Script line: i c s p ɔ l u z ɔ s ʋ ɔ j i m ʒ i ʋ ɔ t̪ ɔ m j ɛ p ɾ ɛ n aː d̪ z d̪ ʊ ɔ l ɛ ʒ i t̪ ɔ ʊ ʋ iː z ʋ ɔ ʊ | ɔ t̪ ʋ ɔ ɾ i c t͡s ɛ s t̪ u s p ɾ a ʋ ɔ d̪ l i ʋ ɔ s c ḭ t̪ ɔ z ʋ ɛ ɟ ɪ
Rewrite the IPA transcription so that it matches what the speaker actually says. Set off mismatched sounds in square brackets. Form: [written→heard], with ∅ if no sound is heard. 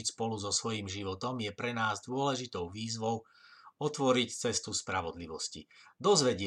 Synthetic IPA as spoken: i c s p ɔ l u z ɔ s ʋ ɔ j i m ʒ i ʋ ɔ t̪ ɔ m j ɛ p ɾ ɛ n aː [d̪→∅] z d̪ ʊ ɔ l ɛ ʒ i t̪ ɔ ʊ ʋ iː z ʋ ɔ ʊ | ɔ t̪ ʋ ɔ ɾ i c t͡s ɛ s t̪ u s p ɾ a ʋ ɔ d̪ l i ʋ ɔ s c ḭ [t̪→d̪] ɔ z ʋ ɛ ɟ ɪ